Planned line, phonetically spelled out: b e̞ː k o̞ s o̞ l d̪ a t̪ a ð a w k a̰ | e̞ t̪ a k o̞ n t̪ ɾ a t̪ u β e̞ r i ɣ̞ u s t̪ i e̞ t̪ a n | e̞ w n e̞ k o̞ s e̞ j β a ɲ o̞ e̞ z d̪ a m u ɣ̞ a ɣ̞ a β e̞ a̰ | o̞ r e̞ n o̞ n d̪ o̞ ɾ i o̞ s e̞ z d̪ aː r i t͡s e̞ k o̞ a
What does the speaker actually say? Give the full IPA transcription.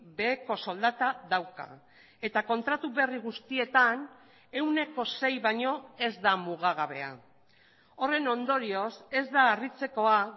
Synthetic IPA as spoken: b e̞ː k o̞ s o̞ l d̪ a t̪ a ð a w k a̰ | e̞ t̪ a k o̞ n t̪ ɾ a t̪ u β e̞ r i ɣ̞ u s t̪ i e̞ t̪ a n | e̞ w n e̞ k o̞ s e̞ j β a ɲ o̞ e̞ z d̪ a m u ɣ̞ a ɣ̞ a β e̞ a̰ | o̞ r e̞ n o̞ n d̪ o̞ ɾ i o̞ s e̞ z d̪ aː r i t͡s e̞ k o̞ a

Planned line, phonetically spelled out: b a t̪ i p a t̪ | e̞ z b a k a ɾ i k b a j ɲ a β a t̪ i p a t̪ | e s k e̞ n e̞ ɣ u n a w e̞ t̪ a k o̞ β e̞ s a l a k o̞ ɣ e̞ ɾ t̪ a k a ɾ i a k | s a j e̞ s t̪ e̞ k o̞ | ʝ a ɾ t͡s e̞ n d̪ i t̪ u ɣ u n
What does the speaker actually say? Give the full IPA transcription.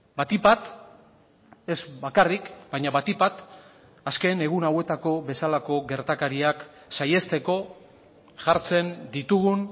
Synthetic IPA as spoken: b a t̪ i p a t̪ | e̞ z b a k a r i k b a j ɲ a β a t̪ i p a t̪ | a s k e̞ n e̞ ɣ u n a w e̞ t̪ a k o̞ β e̞ s a l a k o̞ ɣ e̞ ɾ t̪ a k a ɾ i a k | s a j e̞ s t̪ e̞ k o̞ | ʝ a ɾ t͡s e̞ n d̪ i t̪ u ɣ u n

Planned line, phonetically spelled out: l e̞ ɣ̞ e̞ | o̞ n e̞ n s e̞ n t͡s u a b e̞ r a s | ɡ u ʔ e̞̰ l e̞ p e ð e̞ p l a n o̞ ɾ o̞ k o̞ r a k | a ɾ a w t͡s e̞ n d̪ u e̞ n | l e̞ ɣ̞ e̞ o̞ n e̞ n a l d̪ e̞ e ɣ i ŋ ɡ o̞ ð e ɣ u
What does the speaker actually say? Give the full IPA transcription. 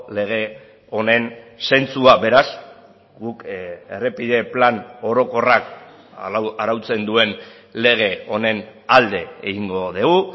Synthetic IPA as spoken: l e̞ ɣ̞ e̞ | o̞ n e̞ n s e̞ n t͡s u a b e̞ ɾ a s | ɡ u k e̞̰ r e̞ p i ð e̞ p l a n o̞ ɾ o̞ k o̞ r a k | a ɾ a w t͡s e̞ n d̪ u e̞ n | l e̞ ɣ̞ e̞ o̞ n e̞ n a l d̪ e̞ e ɣ i ŋ ɡ o̞ ð e ɣ u

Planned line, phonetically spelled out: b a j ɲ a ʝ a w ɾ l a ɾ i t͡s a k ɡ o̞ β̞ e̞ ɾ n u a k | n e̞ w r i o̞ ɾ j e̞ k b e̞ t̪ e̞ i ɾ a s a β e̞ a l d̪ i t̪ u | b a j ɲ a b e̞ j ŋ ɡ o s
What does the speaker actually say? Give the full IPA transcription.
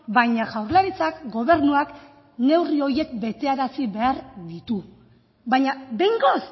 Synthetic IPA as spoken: b a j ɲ a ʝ a w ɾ l a ɾ i t͡s a k ɡ o̞ β̞ e̞ ɾ n u a k | n e̞ w r i o̞ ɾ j e̞ k b e̞ t̪ e̞ a ɾ a s i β e̞ a ɾ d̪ i t̪ u | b a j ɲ a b e̞ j ŋ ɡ o s

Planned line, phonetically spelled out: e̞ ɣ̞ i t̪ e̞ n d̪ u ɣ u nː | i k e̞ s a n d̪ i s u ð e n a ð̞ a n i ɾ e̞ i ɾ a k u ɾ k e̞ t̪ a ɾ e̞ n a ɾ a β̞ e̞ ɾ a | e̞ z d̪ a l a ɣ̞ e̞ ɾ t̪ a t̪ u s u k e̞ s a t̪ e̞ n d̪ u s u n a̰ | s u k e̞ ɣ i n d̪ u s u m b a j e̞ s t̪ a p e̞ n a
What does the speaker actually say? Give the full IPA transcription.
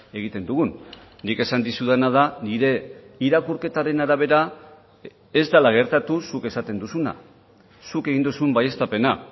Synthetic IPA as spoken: e̞ ɣ̞ i t̪ e̞ n d̪ u ɣ u nː | i k e̞ s a n d̪ i s u ð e n a ð̞ a n i ɾ e̞ i ɾ a k u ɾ k e̞ t̪ a ɾ e̞ n a ɾ a β̞ e̞ ɾ a | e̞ z d̪ a l a ɣ̞ e̞ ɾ t̪ a t̪ u s u k e̞ s a t̪ e̞ n d̪ u s u n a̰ | s u k e̞ ɣ i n d̪ u s u m b a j e̞ s t̪ a p e̞ n a

